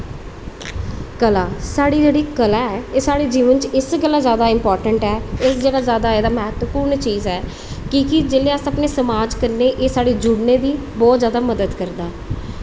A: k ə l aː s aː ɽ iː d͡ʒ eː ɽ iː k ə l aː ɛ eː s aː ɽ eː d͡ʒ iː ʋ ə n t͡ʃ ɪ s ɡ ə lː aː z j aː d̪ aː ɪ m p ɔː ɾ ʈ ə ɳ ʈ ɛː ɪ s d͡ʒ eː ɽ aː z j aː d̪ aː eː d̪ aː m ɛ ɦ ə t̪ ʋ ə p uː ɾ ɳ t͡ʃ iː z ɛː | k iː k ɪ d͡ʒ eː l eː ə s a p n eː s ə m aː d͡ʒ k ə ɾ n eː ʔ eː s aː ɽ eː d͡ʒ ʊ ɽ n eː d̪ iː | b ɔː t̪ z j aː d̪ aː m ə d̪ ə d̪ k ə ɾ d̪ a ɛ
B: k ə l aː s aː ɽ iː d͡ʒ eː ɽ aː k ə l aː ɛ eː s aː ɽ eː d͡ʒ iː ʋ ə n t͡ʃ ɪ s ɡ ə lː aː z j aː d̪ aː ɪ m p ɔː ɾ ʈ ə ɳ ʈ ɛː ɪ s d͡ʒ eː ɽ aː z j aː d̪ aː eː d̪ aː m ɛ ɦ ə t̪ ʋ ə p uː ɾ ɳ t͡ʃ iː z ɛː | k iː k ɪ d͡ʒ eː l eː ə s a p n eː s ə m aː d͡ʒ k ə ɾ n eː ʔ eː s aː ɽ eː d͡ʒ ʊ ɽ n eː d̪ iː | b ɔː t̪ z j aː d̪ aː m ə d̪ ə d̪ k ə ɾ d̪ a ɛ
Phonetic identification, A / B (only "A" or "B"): A